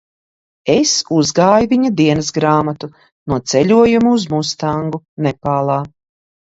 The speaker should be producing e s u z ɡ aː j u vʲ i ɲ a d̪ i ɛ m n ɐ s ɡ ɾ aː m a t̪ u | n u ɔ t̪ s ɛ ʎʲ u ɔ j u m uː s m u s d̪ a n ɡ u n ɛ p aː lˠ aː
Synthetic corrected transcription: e s u z ɡ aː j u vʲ i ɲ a d̪ i ɛ n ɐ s ɡ ɾ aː m a t̪ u | n u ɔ t̪ s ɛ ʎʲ u ɔ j u m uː z m u s t̪ a ŋ ɡ u n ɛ p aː lˠ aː